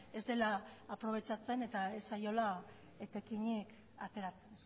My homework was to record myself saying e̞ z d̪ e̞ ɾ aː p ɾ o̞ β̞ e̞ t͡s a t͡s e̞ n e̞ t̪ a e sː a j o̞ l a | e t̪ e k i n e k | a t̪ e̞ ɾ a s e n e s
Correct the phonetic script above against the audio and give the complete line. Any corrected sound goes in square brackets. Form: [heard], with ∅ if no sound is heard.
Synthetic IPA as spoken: e̞ z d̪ e̞ [l] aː p ɾ o̞ β̞ e̞ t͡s a t͡s e̞ n e̞ t̪ a e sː a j o̞ l a | e t̪ e k i [ɲ] e k | a t̪ e̞ ɾ a [t͡s] e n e s